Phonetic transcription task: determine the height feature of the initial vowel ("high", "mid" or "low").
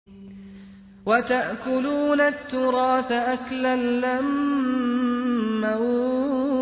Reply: low